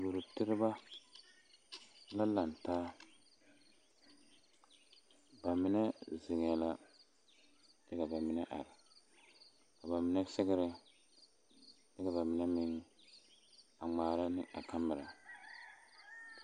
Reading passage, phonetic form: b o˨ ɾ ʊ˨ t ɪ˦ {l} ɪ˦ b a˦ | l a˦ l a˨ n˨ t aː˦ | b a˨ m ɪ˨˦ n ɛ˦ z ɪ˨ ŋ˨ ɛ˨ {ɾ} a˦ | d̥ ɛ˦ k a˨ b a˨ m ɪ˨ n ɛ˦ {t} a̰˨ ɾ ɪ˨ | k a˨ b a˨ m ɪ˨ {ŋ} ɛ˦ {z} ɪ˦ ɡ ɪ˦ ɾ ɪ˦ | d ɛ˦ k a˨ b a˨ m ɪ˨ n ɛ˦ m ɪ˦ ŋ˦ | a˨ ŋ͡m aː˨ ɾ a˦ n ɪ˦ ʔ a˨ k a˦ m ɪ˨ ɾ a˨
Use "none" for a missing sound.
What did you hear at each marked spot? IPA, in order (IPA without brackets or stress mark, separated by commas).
ɾ, l, ʔ, n, s